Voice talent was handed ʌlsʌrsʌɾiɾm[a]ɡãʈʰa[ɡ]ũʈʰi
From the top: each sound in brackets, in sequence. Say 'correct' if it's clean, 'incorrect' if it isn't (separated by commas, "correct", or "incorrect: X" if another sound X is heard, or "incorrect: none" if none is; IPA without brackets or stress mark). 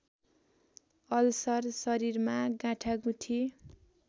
correct, correct